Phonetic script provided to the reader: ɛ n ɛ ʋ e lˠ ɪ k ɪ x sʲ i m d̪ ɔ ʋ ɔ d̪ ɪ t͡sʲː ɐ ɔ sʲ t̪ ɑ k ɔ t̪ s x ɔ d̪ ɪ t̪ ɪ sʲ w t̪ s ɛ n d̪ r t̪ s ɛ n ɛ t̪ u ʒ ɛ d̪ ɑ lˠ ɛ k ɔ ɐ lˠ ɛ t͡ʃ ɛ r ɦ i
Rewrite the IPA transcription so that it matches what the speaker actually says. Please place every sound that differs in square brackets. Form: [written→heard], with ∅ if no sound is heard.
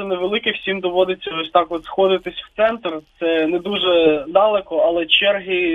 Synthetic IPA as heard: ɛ n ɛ ʋ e lˠ ɪ k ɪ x sʲ i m d̪ ɔ ʋ ɔ d̪ ɪ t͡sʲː ɐ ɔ sʲ t̪ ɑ k ɔ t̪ s x ɔ d̪ ɪ t̪ ɪ sʲ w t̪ s ɛ n [d̪→t̪] r t̪ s ɛ n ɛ [t̪→d̪] u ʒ ɛ d̪ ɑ lˠ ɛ k ɔ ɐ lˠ ɛ t͡ʃ ɛ r ɦ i